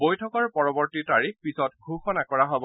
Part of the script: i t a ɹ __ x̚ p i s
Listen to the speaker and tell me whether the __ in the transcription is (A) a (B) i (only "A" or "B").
B